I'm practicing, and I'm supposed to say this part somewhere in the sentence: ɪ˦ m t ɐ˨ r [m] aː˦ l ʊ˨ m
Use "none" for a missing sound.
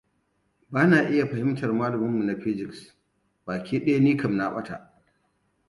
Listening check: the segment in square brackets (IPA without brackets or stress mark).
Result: m